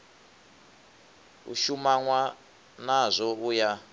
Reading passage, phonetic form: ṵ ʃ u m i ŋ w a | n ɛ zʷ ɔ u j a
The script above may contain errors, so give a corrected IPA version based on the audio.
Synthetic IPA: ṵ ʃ u m a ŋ w a | n a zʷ ɔ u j a